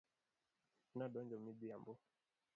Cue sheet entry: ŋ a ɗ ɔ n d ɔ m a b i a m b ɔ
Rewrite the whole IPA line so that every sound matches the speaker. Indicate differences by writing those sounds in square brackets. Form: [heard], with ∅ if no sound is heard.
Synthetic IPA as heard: [n] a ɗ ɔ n [d͡ʒ] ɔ m [i] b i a m b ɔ